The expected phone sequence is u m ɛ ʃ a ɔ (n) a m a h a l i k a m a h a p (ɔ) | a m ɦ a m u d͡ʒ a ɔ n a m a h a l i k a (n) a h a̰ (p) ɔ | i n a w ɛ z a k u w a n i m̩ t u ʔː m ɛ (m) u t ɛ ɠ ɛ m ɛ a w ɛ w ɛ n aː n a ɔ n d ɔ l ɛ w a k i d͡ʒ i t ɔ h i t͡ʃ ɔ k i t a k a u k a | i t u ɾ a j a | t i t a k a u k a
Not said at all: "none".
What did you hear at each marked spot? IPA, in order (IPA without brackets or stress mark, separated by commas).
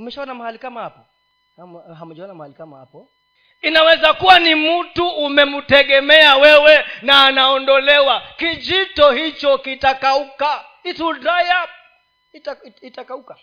n, ɔ, m, p, m